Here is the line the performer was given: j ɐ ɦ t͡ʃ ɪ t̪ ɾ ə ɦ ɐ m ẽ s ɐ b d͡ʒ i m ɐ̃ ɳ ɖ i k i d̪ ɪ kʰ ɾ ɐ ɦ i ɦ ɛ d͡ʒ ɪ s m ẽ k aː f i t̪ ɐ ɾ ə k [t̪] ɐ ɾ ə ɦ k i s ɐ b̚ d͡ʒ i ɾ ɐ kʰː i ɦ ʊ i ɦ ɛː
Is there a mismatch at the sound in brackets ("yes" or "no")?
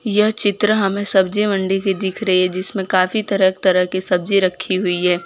no